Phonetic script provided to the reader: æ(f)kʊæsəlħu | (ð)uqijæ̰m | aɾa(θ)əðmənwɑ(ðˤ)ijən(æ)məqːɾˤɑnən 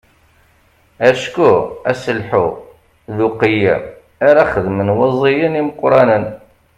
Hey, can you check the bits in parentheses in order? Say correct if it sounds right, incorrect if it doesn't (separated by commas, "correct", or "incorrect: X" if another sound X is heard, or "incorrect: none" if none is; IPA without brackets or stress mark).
incorrect: ʃ, correct, incorrect: χ, incorrect: zˤ, incorrect: i